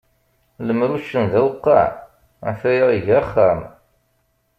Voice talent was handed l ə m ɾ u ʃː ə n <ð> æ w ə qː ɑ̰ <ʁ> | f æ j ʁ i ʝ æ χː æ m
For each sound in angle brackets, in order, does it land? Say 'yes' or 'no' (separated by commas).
yes, no